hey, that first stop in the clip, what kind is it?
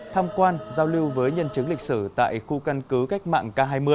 aspirated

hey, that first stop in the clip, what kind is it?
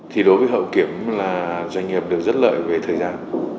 aspirated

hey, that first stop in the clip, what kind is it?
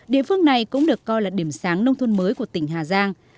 implosive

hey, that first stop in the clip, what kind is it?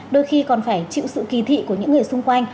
implosive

